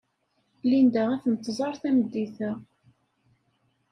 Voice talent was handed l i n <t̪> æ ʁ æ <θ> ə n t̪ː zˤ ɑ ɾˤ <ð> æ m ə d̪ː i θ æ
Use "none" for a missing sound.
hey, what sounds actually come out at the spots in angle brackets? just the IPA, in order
d̪, θ, θ

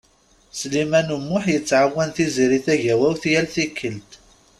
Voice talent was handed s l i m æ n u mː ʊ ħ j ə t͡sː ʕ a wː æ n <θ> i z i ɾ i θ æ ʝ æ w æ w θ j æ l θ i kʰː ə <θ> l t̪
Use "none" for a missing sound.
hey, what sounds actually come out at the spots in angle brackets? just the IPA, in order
θ, none

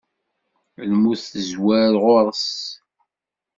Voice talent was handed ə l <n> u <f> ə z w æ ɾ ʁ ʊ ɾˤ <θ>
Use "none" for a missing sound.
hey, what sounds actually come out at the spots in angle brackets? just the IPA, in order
m, θ, s

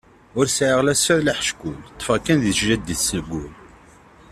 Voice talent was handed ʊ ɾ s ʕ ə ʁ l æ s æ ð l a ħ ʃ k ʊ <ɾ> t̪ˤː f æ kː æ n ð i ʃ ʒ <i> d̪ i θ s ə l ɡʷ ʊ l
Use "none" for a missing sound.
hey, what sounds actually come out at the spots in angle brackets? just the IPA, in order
l, æ

